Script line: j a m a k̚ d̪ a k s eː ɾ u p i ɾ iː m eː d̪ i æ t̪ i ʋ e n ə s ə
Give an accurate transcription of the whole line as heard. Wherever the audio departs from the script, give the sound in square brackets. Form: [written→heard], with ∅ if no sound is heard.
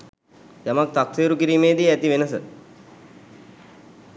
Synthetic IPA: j a m a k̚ [d̪→t̪] a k s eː ɾ u [p→k] i ɾ iː m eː d̪ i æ t̪ i ʋ e n ə s ə